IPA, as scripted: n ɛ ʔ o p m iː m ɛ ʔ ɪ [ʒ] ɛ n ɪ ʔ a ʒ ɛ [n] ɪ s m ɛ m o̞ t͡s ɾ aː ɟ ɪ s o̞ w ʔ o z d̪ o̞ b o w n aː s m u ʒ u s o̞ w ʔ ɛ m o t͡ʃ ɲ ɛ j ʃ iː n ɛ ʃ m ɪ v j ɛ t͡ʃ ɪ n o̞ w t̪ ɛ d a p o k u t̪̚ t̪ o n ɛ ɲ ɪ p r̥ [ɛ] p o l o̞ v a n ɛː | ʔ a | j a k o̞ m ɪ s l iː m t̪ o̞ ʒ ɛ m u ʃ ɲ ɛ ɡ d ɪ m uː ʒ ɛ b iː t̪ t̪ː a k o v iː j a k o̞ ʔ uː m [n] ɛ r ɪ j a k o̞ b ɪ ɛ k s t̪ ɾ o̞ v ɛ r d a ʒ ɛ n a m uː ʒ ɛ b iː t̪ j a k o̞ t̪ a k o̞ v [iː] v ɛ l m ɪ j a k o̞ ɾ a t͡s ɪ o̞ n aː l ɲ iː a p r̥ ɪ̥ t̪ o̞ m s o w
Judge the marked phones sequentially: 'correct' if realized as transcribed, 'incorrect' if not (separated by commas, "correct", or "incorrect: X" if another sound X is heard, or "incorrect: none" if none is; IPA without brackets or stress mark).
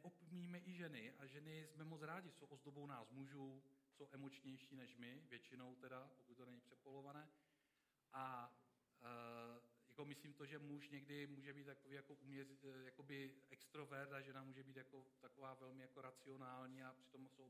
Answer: correct, correct, correct, incorrect: ɲ, incorrect: aː